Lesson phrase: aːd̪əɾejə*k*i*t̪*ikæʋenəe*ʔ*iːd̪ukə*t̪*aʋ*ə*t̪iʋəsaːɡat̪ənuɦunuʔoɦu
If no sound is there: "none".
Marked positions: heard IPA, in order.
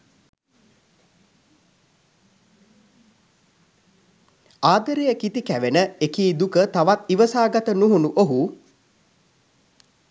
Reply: k, t̪, k, t̪, a

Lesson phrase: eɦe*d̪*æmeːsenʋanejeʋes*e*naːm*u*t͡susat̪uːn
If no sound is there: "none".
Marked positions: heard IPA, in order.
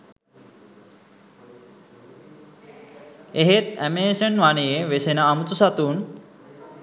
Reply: t̪, e, u

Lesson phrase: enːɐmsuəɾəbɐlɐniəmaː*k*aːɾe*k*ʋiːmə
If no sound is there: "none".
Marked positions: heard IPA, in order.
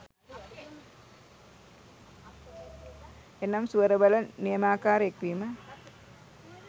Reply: k, k

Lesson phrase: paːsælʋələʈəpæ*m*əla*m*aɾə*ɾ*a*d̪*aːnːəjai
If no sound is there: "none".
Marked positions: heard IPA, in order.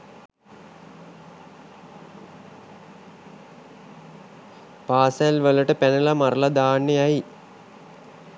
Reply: n, m, l, d̪

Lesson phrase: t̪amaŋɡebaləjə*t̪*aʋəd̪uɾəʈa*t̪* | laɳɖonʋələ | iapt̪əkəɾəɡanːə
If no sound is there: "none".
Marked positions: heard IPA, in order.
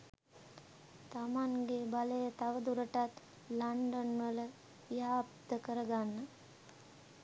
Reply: t̪, t̪

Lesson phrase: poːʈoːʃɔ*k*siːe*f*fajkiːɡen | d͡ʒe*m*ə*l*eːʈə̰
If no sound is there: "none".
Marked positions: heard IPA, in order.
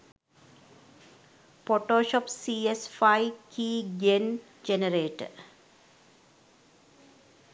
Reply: p, s, n, ɾ

